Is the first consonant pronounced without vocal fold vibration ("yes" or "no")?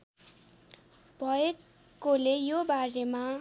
no